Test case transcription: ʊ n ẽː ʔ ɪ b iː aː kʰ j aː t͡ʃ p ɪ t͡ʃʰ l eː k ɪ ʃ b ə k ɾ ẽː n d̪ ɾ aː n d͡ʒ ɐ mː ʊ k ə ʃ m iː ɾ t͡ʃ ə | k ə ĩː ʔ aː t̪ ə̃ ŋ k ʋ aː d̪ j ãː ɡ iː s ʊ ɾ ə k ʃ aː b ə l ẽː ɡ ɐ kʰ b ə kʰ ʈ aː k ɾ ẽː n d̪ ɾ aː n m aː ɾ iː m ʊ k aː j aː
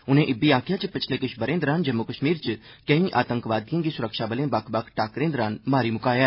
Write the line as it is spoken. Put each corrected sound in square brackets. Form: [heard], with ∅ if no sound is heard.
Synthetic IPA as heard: ʊ n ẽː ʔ ɪ b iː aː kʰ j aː t͡ʃ p ɪ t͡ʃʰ l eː k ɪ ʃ b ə [∅] ɾ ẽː n d̪ ɾ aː n d͡ʒ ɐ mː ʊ k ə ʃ m iː ɾ t͡ʃ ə | k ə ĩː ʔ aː t̪ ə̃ ŋ k ʋ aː d̪ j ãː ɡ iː s ʊ ɾ ə k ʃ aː b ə l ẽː [b] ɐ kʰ b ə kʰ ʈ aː k ɾ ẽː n d̪ ɾ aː n m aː ɾ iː m ʊ k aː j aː